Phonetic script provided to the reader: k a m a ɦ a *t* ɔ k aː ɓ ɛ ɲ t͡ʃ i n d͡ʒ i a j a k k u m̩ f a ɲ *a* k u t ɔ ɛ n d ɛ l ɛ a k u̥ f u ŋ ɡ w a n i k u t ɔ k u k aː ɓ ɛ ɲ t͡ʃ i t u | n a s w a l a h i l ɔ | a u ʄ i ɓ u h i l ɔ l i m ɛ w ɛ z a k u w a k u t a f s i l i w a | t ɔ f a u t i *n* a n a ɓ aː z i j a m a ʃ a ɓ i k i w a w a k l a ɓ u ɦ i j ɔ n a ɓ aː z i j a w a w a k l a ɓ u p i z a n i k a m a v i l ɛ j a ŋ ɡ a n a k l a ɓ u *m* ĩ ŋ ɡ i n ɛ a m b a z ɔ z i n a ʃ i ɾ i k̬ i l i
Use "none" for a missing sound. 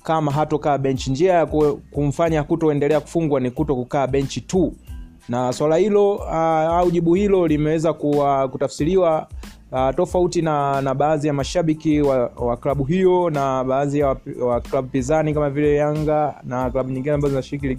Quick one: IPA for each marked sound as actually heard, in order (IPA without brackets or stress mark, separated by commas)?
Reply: t, a, n, ɲ